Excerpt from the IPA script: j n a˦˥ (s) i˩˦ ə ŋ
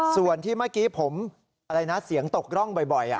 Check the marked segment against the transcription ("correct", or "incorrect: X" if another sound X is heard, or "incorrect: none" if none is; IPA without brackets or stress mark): correct